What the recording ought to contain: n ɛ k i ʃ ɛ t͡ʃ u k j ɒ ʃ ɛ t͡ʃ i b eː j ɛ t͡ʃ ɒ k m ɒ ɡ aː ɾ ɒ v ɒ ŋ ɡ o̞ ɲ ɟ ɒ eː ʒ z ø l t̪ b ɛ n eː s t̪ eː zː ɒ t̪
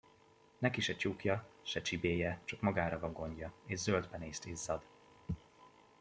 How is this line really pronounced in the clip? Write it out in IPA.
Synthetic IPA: n ɛ k i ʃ ɛ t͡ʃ u k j ɒ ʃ ɛ t͡ʃ i b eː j ɛ t͡ʃ ɒ k m ɒ ɡ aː ɾ ɒ v ɒ ŋ ɡ o̞ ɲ ɟ ɒ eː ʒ z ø l d̪ b ɛ n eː s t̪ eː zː ɒ d̪